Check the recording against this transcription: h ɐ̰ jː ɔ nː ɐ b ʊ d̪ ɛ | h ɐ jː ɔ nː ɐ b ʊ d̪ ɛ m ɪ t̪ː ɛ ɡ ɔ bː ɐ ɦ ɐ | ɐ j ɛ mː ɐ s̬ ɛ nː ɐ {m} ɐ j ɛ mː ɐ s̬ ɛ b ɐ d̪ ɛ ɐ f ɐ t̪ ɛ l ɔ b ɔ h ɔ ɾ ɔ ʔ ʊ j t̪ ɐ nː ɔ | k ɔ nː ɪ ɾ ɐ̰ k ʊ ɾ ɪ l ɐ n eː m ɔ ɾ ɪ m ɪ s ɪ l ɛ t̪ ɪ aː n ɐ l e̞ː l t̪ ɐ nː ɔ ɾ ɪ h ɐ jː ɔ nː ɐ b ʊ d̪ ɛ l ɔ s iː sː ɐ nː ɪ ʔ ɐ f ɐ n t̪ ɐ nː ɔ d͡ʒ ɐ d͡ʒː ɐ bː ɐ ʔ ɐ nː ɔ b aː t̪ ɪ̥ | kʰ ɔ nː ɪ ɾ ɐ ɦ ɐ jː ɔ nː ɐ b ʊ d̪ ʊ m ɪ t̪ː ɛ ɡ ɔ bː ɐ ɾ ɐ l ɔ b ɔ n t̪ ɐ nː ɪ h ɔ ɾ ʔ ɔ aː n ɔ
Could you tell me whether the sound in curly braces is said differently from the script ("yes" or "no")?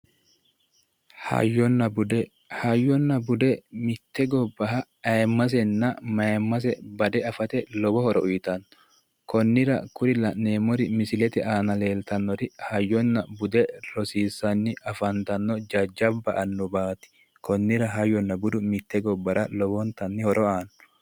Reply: no